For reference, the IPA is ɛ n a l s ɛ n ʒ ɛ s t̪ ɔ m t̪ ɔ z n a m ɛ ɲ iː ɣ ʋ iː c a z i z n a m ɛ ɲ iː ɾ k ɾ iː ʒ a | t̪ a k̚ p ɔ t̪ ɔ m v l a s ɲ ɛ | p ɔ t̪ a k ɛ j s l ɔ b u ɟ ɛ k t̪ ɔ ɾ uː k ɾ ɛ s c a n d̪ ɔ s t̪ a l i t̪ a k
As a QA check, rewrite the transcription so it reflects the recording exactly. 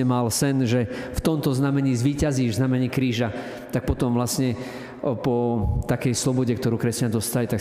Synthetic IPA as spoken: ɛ m a l s ɛ n ʒ ɛ f t̪ ɔ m t̪ ɔ z n a m ɛ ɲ iː z ʋ iː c a z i z n a m ɛ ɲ iː k ɾ iː ʒ a | t̪ a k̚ p ɔ t̪ ɔ m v l a s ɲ ɛ | p ɔ t̪ a k ɛ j s l ɔ b ɔ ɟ ɛ k t̪ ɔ ɾ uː k ɾ ɛ s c a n d̪ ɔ s t̪ a l i t̪ a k